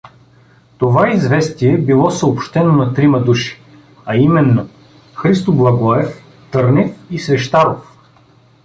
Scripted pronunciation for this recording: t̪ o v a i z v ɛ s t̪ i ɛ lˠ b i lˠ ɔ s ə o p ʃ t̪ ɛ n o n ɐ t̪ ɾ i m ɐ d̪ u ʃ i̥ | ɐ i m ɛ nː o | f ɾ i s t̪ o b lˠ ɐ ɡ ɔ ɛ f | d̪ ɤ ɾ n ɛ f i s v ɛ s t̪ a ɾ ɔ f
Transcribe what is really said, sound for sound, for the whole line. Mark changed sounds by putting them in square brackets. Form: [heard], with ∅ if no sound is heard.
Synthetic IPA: t̪ o v a i z v ɛ s t̪ i ɛ [∅] b i lˠ ɔ s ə o p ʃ t̪ ɛ n o n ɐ t̪ ɾ i m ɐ d̪ u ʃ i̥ | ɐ i m ɛ nː o | [x] ɾ i s t̪ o b lˠ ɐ ɡ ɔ ɛ f | [t̪] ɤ ɾ n ɛ f i s v ɛ [ʃ] t̪ a ɾ [o] f

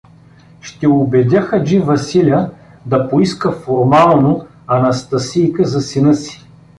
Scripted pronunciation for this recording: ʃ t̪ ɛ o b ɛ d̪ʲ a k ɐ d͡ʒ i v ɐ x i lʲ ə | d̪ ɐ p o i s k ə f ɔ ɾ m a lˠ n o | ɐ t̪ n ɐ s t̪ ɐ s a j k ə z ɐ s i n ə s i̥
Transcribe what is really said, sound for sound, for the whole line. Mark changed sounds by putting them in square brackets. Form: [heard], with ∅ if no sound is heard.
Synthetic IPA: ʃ t̪ ɛ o b ɛ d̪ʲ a [x] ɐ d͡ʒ i v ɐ [s] i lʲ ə | d̪ ɐ p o i s k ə f [o] ɾ m a lˠ n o | ɐ [∅] n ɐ s t̪ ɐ s [i] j k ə z ɐ s i n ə s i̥

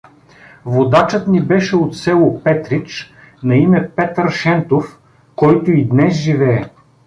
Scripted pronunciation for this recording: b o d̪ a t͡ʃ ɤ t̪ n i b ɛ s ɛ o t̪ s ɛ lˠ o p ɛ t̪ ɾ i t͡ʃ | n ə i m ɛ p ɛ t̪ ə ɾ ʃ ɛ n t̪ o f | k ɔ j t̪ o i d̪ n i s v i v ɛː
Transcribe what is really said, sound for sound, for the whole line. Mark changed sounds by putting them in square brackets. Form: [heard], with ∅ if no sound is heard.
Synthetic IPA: [v] o d̪ a t͡ʃ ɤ t̪ n i b ɛ [ʃ] ɛ o t̪ s ɛ lˠ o p ɛ t̪ ɾ i t͡ʃ | n [ɐ] i m ɛ p ɛ t̪ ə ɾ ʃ ɛ n t̪ o f | k ɔ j t̪ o i d̪ n [ɛ] s [ʒ] i v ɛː

